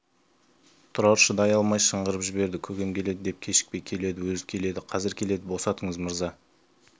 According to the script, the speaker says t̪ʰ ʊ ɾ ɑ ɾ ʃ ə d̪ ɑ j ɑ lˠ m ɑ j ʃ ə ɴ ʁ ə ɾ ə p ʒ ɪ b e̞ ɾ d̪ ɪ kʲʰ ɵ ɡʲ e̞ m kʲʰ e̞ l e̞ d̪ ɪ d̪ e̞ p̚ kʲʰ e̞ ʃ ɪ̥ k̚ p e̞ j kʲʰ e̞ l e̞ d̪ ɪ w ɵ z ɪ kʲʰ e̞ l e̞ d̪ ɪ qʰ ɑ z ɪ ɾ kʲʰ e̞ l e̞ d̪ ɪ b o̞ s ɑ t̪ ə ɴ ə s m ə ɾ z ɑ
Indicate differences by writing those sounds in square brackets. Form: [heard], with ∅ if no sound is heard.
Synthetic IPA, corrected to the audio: t̪ʰ ʊ ɾ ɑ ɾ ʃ ə d̪ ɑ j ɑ lˠ m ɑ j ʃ ə ɴ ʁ ə ɾ ə p ʒ ɪ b e̞ ɾ d̪ ɪ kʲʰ ɵ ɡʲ e̞ m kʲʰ e̞ l e̞ d̪ ɪ d̪ e̞ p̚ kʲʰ e̞ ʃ ɪ̥ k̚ p e̞ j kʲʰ e̞ l e̞ d̪ ɪ w ɵ z ɪ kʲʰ e̞ l e̞ d̪ ɪ qʰ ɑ z ɪ ɾ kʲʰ e̞ l e̞ d̪ ɪ b o̞ s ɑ t̪ ə ɴ ə [z] m ə ɾ z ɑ